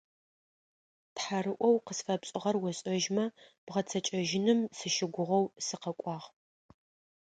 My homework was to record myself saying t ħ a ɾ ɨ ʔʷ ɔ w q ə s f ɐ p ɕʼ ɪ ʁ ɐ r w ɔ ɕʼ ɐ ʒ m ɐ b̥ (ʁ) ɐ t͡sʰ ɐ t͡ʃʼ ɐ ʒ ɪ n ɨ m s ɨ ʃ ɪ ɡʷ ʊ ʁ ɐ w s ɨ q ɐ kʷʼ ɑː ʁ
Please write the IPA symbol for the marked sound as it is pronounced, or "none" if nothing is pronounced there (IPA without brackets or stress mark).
ʁ